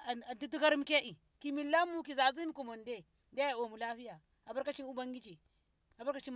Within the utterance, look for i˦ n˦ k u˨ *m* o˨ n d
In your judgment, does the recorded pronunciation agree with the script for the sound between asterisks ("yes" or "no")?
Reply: yes